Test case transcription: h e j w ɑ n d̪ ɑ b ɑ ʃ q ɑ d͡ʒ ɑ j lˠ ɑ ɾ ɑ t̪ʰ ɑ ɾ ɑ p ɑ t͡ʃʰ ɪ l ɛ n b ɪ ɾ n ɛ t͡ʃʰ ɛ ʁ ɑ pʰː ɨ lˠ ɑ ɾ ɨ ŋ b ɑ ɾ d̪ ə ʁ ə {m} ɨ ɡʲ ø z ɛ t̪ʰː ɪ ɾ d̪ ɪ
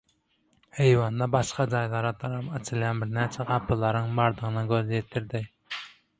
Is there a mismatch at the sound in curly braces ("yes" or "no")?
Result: yes